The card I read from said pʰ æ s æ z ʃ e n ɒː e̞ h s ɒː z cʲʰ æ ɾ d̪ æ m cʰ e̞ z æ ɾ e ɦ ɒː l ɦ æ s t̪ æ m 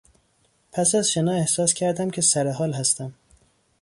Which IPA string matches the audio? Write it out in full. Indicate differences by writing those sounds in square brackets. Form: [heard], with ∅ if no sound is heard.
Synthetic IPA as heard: pʰ æ s æ z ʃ e n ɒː e̞ h s ɒː [s] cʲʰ æ ɾ d̪ æ m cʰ e̞ [s] æ ɾ e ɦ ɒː l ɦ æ s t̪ æ m